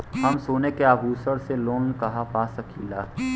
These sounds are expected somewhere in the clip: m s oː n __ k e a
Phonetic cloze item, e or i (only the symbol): e